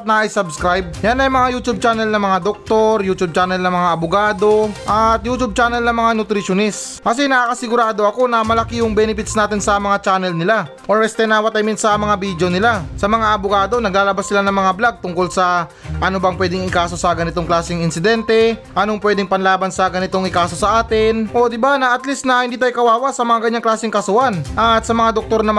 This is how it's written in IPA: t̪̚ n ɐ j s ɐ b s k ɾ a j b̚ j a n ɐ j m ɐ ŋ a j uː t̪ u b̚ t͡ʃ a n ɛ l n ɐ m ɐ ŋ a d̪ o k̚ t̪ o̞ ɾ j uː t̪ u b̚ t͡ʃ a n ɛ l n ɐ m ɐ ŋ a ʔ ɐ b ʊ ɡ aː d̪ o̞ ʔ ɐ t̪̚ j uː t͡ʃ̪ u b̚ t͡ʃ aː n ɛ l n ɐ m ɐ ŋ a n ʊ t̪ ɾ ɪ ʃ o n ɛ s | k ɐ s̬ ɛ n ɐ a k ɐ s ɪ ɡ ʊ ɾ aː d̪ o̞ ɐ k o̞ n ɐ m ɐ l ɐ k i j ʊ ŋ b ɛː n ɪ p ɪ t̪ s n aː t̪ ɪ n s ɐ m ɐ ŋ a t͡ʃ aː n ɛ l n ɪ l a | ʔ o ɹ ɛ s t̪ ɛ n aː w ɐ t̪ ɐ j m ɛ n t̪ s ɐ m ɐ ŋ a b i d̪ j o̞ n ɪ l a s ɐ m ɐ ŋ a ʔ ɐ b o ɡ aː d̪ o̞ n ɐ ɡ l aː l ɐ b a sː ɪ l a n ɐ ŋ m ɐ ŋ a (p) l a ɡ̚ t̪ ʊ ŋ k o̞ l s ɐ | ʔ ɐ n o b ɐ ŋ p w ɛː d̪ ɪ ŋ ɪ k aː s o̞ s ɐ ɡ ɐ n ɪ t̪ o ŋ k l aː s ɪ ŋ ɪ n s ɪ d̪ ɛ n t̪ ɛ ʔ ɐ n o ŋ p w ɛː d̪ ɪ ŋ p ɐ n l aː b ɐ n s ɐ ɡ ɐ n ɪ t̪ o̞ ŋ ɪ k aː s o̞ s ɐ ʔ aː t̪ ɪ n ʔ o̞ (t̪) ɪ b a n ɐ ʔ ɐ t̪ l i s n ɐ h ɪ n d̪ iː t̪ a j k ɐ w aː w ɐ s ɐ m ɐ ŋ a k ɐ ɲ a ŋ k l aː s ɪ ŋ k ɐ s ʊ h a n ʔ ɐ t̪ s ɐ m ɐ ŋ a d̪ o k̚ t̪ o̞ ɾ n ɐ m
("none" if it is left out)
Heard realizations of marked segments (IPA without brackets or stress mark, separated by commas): b, d̪